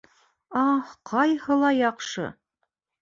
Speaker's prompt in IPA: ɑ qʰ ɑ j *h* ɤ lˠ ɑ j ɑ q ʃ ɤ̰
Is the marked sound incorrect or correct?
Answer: correct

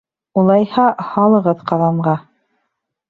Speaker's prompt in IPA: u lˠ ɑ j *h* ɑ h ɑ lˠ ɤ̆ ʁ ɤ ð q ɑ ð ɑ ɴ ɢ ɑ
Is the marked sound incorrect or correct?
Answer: correct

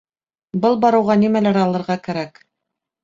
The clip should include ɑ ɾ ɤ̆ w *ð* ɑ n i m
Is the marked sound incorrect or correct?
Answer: incorrect: ʁ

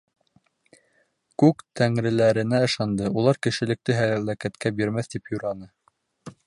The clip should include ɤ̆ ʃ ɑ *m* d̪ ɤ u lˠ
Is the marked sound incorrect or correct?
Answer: incorrect: n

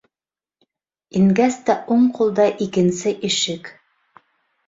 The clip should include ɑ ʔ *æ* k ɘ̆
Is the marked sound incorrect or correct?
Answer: incorrect: i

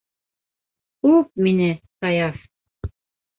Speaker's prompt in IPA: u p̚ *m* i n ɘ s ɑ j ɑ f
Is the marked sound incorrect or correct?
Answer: correct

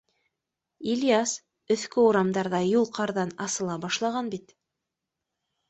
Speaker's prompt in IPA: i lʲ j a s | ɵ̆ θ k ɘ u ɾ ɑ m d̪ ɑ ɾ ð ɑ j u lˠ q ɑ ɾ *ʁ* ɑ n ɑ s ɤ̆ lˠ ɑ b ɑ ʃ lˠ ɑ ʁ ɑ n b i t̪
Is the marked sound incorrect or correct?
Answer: incorrect: ð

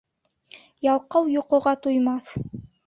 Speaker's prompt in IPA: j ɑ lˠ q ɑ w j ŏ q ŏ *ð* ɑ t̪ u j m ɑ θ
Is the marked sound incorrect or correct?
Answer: incorrect: ʁ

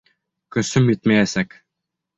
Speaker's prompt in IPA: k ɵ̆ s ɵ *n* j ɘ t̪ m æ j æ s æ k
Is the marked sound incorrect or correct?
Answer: incorrect: m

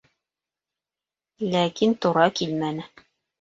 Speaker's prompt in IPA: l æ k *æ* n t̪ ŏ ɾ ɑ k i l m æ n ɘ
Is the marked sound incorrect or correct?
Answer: incorrect: i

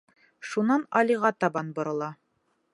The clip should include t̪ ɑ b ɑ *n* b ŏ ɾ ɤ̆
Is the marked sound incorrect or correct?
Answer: correct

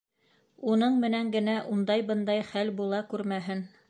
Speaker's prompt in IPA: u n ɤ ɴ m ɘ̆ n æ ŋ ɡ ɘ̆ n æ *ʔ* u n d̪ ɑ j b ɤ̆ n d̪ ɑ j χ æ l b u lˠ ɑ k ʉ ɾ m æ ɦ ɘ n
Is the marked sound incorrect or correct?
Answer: correct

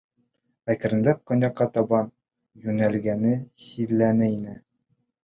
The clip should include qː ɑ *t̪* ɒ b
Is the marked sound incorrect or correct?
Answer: correct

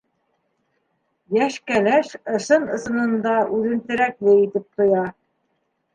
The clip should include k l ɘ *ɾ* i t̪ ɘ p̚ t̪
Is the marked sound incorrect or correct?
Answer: incorrect: none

